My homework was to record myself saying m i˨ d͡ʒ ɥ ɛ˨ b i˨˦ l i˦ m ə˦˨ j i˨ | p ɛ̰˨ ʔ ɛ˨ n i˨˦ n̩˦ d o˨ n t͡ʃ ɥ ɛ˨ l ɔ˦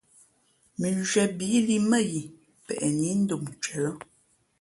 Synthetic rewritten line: m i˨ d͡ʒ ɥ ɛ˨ b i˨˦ l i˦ m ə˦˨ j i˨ | p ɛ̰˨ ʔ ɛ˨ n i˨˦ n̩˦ d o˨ m t͡ʃ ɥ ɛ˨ l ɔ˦